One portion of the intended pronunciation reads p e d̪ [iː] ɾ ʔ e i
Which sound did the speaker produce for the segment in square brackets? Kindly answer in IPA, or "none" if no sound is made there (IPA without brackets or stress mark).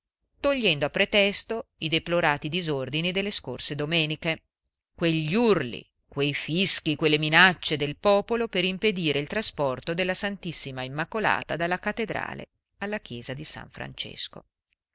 iː